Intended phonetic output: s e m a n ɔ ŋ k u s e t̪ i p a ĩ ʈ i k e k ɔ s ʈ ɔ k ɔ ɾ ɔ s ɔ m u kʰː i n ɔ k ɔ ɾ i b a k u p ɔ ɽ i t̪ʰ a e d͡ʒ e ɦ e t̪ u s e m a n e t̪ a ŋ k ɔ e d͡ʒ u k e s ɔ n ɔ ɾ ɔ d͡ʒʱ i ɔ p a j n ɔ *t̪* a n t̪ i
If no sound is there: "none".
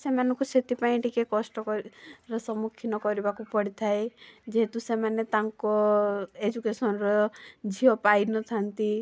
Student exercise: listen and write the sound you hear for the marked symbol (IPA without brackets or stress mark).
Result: t̪ʰ